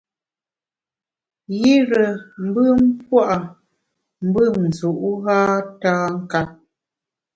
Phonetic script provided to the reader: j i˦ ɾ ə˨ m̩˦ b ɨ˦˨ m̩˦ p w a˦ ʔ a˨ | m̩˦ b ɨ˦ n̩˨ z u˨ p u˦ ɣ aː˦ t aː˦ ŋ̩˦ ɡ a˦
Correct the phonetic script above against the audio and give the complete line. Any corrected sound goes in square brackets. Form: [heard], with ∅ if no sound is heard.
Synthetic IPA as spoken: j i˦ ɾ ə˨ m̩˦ b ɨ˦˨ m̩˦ p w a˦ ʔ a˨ | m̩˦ b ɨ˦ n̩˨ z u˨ [ʔ] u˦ ɣ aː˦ t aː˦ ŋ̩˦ [k] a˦